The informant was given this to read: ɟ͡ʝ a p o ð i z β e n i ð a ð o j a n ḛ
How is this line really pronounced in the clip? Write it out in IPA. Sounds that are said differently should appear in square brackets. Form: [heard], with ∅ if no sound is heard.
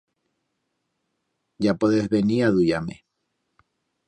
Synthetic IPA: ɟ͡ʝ a p o ð [e] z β e n i [∅] a ð [u] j a [m] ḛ